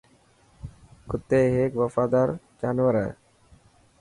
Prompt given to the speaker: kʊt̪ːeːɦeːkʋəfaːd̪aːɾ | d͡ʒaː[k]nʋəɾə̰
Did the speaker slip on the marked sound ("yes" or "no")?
yes